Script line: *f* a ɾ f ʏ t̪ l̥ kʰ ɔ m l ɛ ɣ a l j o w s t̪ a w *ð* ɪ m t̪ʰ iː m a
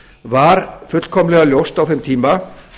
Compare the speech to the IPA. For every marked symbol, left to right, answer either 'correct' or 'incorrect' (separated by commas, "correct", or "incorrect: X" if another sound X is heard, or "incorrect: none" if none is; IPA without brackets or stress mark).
incorrect: v, incorrect: θ